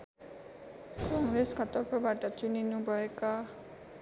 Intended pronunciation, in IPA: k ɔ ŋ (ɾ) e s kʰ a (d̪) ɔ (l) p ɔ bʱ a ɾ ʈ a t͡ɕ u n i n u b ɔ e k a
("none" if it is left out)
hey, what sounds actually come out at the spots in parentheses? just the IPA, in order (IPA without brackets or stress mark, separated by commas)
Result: ɾ, t̪, ɾ